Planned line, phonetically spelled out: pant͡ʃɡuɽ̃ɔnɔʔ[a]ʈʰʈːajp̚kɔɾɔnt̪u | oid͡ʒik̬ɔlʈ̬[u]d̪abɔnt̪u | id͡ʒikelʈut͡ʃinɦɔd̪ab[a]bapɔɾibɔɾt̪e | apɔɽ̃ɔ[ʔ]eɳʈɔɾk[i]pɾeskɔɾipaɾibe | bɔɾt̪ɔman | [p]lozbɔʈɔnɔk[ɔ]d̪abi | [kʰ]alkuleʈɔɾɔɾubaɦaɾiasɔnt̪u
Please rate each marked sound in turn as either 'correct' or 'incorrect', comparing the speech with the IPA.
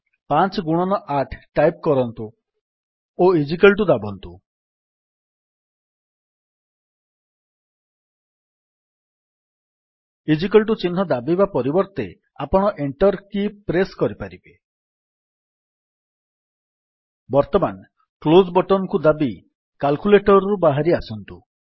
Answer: correct, correct, incorrect, correct, correct, incorrect, incorrect, incorrect

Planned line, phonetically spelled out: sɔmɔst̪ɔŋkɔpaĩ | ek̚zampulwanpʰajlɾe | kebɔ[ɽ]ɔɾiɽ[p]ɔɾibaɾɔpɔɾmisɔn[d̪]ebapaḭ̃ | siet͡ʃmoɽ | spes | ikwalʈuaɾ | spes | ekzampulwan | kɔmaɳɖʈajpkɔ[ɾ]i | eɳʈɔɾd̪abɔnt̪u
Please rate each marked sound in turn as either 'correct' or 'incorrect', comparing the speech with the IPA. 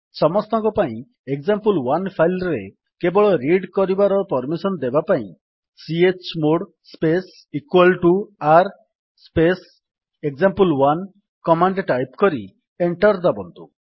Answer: incorrect, incorrect, correct, correct

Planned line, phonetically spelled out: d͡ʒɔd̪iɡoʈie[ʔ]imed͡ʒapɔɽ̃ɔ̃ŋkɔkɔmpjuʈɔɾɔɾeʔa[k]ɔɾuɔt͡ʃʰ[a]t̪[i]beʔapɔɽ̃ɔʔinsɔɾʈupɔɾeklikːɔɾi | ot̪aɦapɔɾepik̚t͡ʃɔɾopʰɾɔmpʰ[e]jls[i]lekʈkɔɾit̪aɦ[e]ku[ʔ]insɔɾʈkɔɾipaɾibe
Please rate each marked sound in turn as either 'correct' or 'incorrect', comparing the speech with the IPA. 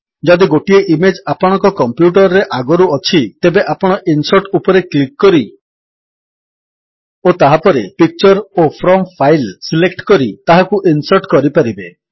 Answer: correct, incorrect, incorrect, incorrect, incorrect, correct, incorrect, correct

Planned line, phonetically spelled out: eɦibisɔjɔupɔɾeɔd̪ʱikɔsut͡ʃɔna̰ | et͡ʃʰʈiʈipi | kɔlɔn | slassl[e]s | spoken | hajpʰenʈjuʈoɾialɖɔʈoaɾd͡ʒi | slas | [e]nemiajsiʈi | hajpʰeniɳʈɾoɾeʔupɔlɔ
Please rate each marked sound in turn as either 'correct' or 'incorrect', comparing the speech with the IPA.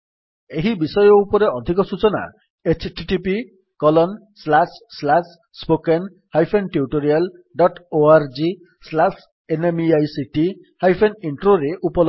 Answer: incorrect, correct

